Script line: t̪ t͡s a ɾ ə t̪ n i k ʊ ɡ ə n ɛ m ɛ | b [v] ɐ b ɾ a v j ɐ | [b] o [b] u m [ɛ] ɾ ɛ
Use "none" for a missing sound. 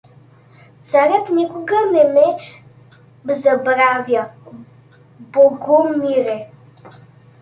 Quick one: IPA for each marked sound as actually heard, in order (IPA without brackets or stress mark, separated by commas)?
z, b, ɡ, i